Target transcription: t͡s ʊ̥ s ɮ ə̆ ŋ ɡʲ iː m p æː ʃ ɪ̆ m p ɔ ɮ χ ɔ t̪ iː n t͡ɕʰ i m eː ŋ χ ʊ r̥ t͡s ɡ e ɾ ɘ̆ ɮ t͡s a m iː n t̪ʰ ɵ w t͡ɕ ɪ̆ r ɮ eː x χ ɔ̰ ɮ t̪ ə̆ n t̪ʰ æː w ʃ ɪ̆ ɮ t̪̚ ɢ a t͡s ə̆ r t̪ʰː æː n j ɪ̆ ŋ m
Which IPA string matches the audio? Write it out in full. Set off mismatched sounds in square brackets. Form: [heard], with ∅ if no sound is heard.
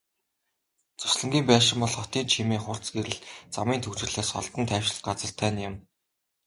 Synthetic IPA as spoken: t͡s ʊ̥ s ɮ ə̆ ŋ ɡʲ iː m p æː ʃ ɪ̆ m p ɔ ɮ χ ɔ t̪ iː n t͡ɕʰ i m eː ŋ χ ʊ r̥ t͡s ɡ e ɾ ɘ̆ ɮ t͡s a m iː n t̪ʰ ɵ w t͡ɕ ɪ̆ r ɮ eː [s] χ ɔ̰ ɮ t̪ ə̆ n t̪ʰ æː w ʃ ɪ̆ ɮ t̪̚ ɢ a t͡s ə̆ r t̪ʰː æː n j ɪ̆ [∅] m